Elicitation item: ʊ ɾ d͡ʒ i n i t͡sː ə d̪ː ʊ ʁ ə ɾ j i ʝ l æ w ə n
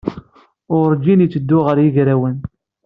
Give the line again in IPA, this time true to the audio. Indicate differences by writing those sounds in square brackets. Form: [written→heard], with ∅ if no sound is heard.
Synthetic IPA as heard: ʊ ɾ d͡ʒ i n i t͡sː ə d̪ː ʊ ʁ ə ɾ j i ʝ [l→ɾ] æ w ə n